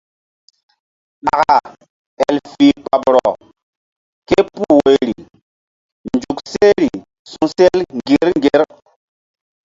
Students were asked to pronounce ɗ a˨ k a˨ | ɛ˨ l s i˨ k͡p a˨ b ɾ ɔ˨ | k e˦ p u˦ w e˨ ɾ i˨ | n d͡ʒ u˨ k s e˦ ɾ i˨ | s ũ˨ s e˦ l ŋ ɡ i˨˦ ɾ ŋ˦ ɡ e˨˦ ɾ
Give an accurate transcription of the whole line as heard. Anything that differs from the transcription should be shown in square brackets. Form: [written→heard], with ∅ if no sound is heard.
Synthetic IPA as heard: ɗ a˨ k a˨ | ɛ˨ l [s→f] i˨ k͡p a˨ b ɾ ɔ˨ | k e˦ p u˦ w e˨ ɾ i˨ | n d͡ʒ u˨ k s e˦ ɾ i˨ | s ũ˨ s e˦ l ŋ ɡ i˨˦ ɾ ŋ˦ ɡ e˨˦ ɾ